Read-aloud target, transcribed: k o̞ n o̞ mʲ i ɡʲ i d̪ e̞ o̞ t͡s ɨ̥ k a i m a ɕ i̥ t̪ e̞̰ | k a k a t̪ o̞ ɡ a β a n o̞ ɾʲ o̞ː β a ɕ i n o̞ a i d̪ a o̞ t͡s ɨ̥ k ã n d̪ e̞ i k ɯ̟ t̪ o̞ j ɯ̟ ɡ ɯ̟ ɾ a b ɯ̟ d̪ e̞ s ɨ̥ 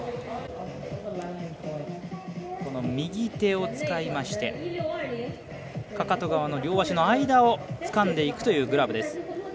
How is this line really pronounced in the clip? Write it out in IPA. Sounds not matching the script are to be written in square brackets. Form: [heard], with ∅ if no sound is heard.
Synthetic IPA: k o̞ n o̞ mʲ i ɡʲ i [t̪] e̞ o̞ t͡s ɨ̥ k a i m a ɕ i̥ t̪ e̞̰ | k a k a t̪ o̞ ɡ a β a n o̞ ɾʲ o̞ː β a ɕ i n o̞ a i d̪ a o̞ t͡s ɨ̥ k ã n d̪ e̞ i k ɯ̟ t̪ o̞ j [ɯ̟ː] ɡ ɯ̟ ɾ a b ɯ̟ d̪ e̞ s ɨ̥